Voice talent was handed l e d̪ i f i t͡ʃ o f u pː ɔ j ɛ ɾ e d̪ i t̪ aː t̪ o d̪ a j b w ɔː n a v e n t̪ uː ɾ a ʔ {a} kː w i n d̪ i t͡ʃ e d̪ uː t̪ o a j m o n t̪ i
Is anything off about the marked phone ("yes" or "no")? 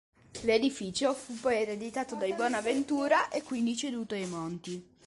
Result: yes